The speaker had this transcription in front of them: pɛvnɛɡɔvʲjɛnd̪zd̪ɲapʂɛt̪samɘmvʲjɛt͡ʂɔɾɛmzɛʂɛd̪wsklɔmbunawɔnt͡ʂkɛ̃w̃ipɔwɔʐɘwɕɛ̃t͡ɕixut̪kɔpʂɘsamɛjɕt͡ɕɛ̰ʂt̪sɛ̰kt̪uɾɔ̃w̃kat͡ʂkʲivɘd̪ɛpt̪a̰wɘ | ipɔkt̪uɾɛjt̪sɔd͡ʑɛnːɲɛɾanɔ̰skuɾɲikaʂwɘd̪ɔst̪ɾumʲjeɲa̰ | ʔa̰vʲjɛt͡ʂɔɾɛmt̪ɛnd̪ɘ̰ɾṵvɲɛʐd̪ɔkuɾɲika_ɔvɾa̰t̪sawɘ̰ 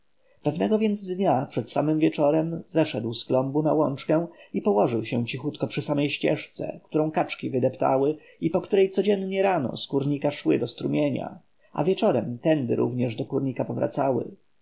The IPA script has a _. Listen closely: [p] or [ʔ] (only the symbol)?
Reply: p